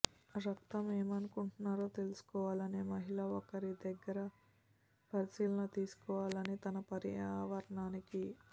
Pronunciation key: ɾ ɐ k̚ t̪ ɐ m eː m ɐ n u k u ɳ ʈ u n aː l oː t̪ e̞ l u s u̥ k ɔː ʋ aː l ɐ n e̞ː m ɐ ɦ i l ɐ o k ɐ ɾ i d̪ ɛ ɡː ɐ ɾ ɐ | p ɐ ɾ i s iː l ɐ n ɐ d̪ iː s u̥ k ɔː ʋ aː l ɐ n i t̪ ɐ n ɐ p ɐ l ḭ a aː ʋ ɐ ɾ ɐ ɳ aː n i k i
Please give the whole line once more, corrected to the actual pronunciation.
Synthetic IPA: ɾ ɐ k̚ t̪ ɐ m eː m ɐ n u k u ɳ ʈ u n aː ɾ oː t̪ e̞ l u s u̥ k ɔː ʋ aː l ɐ n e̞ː m ɐ ɦ i l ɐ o k ɐ ɾ i d̪ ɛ ɡː ɐ ɾ ɐ | p ɐ ɾ i s iː l ɐ n ɐ t̪ iː s u̥ k ɔː ʋ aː l ɐ n i t̪ ɐ n ɐ p ɐ ɾ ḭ a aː ʋ ɐ ɾ ɐ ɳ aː n i k i